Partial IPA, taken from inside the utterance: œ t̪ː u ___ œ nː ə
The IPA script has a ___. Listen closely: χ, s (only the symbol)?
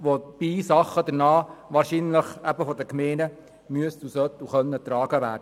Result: χ